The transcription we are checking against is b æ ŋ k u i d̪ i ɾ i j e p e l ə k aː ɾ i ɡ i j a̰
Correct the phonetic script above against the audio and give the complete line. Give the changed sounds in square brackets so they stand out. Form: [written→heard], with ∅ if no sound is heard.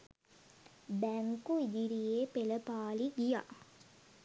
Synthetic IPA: b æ ŋ k u i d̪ i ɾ i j e p e l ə [k→p] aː [ɾ→l] i ɡ i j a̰